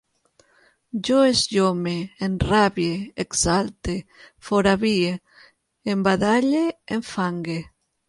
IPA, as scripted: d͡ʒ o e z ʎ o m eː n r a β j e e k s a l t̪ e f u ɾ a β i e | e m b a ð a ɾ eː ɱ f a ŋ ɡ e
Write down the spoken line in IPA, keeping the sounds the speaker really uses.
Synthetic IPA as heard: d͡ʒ o e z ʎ o m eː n r a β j e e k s a l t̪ e f o ɾ a β i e | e m b a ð a ʎ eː ɱ f a ŋ ɡ e